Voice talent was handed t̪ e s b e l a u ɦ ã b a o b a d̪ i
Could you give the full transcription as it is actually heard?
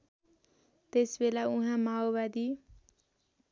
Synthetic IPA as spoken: t̪ e s b e l a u ɦ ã m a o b a d̪ i